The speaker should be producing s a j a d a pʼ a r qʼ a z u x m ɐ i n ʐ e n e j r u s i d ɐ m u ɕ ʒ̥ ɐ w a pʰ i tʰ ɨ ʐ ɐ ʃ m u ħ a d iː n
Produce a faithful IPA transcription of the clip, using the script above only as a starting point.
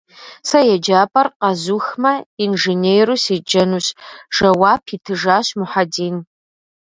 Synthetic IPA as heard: s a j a d͡ʒ a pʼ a r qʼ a z u x m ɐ i n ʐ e n e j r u s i d͡ʒ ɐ n u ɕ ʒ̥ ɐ w a pʰ i tʰ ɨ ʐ a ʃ m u ħ a d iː n